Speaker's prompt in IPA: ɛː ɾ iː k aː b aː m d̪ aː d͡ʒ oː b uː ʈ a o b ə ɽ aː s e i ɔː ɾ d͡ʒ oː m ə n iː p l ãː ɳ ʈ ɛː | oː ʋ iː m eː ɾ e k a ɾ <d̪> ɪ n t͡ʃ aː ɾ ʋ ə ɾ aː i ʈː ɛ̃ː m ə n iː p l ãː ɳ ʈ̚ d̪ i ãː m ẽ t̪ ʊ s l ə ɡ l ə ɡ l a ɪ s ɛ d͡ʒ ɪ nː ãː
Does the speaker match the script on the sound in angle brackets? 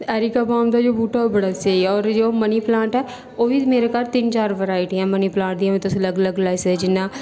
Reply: no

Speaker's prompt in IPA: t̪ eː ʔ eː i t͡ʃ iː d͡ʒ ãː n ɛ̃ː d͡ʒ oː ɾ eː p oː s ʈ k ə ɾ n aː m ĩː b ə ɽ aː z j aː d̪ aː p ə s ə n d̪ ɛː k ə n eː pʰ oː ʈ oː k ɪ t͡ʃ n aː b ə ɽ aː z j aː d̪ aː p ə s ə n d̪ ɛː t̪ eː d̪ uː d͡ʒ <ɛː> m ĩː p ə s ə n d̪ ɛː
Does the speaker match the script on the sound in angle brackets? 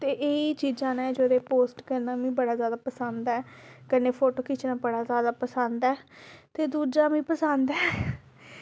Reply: no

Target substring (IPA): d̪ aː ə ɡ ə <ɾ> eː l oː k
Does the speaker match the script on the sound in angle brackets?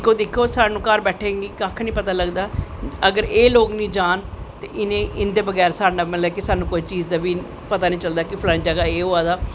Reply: yes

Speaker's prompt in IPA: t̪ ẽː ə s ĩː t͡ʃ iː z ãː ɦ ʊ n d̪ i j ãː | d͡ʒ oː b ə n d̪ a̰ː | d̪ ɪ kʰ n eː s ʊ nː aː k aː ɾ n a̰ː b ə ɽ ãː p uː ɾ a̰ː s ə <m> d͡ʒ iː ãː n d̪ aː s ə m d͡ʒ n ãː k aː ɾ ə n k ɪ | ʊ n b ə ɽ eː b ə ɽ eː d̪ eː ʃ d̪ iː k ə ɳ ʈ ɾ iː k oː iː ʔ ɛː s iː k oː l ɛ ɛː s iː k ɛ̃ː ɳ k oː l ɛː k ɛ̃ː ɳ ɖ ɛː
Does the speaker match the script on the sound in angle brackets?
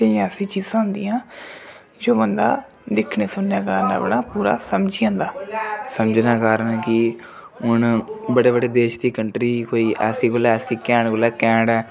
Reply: yes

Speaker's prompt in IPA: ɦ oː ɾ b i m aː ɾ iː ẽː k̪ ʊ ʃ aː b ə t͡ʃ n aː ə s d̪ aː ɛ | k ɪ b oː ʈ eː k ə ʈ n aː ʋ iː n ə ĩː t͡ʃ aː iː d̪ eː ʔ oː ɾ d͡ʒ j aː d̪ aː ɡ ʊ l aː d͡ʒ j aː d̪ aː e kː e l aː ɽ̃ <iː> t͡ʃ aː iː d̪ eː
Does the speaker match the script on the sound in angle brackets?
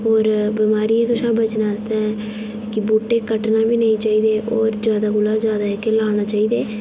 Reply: no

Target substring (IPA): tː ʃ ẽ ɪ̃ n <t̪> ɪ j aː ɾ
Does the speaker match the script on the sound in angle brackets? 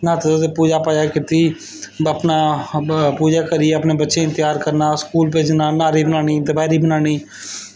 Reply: yes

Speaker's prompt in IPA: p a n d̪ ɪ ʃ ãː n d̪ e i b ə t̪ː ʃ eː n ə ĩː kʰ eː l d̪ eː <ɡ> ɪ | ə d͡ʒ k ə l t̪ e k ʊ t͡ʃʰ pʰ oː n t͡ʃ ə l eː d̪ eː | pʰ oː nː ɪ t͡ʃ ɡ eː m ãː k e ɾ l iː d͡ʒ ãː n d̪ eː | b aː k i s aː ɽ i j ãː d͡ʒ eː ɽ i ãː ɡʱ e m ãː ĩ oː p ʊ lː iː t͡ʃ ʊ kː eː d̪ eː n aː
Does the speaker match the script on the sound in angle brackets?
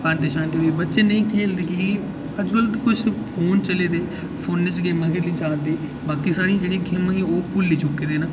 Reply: no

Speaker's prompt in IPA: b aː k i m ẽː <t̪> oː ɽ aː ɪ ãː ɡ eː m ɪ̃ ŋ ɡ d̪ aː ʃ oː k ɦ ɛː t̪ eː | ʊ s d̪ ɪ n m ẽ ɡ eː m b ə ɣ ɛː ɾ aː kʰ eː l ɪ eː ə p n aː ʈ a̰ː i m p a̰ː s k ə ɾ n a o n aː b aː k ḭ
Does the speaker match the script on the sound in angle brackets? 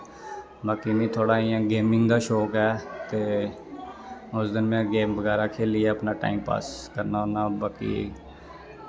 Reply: no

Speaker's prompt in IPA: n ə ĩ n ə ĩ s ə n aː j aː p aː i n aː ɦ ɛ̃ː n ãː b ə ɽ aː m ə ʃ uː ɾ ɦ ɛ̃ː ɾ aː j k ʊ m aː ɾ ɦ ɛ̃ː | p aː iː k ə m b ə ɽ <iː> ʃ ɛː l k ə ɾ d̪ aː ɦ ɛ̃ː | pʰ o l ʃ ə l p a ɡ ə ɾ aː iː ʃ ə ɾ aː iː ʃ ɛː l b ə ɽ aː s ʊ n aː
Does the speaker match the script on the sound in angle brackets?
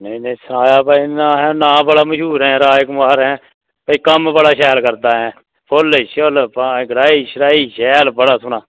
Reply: no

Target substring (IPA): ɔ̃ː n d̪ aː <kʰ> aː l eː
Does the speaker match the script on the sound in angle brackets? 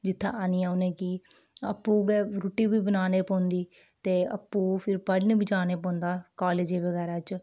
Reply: no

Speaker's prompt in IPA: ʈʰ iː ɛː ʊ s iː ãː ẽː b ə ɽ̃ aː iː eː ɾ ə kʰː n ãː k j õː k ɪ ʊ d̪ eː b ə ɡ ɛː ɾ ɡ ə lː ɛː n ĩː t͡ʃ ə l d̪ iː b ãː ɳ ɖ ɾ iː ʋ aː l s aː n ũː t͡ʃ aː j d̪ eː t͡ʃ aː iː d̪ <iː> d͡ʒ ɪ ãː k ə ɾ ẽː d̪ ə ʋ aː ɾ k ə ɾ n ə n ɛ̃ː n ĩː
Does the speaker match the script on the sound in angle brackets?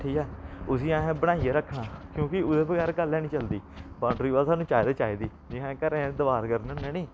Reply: yes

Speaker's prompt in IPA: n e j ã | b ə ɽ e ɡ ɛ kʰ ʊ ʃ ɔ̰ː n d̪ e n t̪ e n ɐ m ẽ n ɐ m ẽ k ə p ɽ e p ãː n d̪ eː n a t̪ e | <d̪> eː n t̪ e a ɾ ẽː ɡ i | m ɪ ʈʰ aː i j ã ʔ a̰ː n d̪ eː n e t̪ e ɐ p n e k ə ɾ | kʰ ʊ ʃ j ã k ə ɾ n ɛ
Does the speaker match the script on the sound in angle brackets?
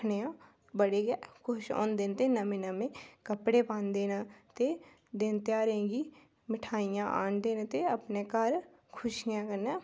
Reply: yes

